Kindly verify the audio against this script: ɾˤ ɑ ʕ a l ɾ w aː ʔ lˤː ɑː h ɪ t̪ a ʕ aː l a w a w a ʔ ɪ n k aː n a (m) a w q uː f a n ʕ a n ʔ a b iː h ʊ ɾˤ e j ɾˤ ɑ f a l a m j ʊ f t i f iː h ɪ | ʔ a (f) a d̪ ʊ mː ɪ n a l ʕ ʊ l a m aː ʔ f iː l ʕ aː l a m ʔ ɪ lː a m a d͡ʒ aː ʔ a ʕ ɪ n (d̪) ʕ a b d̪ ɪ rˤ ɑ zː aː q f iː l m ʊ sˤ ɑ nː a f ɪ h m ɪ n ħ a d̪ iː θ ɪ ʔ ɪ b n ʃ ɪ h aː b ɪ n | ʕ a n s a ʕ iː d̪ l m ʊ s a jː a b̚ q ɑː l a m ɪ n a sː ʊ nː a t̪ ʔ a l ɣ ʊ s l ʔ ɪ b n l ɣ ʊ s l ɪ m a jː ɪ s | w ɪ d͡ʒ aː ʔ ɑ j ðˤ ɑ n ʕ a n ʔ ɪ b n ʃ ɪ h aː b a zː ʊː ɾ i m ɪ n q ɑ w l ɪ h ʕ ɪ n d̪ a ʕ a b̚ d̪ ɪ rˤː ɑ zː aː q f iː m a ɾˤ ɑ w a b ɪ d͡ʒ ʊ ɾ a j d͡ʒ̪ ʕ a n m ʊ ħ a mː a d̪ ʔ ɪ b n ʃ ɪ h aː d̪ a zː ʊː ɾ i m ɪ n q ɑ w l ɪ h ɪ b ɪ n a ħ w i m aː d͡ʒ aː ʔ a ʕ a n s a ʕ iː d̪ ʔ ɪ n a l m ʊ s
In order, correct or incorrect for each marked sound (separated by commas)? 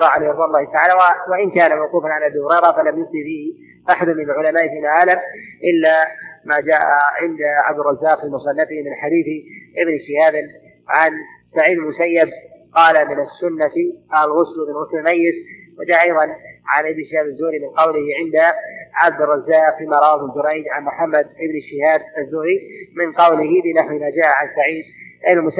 correct, incorrect, correct